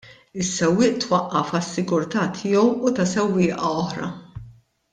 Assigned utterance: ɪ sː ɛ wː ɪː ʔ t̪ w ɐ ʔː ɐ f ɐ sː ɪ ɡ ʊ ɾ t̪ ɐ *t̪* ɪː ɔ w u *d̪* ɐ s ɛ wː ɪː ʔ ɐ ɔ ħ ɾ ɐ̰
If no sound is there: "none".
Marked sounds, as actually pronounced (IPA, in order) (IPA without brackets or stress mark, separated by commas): t̪ʰ, t̪